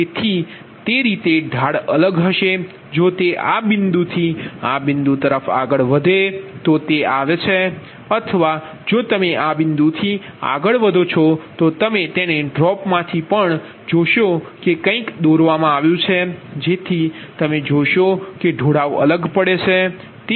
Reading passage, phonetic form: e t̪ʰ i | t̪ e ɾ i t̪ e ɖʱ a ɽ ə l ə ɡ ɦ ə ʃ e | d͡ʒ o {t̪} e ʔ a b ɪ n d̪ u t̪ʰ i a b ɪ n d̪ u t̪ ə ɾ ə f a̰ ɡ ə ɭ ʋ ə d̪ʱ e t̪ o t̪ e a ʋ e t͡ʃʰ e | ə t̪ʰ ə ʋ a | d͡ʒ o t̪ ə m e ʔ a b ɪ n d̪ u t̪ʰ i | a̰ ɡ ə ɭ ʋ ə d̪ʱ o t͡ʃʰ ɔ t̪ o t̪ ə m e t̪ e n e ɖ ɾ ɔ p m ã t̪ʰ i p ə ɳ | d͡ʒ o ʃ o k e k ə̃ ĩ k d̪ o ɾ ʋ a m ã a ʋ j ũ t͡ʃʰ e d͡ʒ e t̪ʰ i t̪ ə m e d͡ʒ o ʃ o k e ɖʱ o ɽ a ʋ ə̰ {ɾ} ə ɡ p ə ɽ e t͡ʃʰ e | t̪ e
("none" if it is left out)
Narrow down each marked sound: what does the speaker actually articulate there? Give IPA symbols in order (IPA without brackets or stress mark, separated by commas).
t̪, l